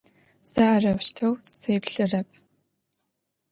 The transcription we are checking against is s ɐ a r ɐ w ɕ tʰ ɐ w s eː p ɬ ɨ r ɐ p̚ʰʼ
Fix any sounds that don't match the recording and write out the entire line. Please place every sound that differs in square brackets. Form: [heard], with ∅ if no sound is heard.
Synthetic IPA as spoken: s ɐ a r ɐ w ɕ tʰ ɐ w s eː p ɬ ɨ r ɐ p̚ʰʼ